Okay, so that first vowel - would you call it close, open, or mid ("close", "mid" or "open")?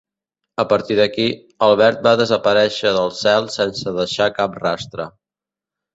mid